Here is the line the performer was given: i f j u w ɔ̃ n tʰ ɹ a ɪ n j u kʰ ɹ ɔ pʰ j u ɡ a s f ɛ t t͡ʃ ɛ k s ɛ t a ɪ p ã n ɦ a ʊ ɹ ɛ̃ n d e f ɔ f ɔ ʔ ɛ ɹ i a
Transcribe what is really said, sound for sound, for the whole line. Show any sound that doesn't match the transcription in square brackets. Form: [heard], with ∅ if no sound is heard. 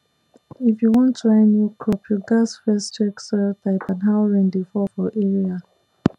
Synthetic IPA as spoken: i f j u w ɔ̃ n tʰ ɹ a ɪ n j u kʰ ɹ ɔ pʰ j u ɡ a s f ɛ [s] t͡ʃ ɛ k s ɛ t a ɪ p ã n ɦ a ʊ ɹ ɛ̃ n d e f ɔ f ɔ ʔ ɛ ɹ i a